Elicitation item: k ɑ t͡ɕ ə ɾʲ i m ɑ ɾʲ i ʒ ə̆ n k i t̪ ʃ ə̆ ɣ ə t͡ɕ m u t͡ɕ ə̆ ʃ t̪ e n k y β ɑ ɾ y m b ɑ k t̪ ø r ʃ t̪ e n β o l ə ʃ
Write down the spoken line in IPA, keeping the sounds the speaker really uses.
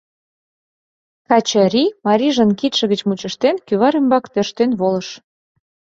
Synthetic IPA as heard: k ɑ t͡ɕ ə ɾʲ i m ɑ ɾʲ i ʒ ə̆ n k i t̪ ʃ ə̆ ɣ ə t͡ɕ m u t͡ɕ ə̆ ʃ t̪ e n k y β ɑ ɾ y m b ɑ k t̪ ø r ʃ t̪ e n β o l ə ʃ